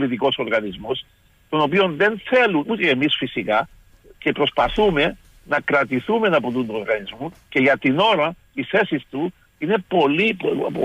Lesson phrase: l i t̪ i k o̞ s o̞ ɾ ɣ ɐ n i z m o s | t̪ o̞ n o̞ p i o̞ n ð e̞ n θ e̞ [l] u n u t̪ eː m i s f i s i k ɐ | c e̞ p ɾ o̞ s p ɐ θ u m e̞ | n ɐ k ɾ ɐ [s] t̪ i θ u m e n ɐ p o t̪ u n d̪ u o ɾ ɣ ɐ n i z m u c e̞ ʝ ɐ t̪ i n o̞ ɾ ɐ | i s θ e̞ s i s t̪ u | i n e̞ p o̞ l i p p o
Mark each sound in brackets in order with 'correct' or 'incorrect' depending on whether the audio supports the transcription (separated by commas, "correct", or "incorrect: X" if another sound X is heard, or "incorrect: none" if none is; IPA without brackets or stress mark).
correct, incorrect: none